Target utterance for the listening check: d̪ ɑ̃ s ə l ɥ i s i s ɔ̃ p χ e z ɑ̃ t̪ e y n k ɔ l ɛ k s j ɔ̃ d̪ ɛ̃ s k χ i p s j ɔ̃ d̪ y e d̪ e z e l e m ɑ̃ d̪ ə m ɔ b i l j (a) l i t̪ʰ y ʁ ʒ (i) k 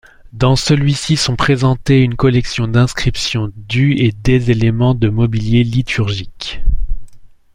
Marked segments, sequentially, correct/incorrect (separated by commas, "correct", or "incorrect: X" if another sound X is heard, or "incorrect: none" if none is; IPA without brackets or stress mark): incorrect: e, correct